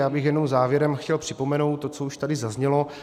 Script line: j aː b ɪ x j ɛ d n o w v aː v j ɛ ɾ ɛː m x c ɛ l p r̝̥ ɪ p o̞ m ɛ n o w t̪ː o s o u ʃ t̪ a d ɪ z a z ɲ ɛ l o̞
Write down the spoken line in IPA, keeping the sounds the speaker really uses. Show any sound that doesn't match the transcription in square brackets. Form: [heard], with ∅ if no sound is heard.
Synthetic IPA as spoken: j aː b ɪ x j ɛ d n o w [z] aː v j ɛ ɾ [ɛ] m x c ɛ l p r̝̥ ɪ p o̞ m ɛ n o w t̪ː o [t͡s] o u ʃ t̪ a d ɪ z a z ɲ ɛ l o̞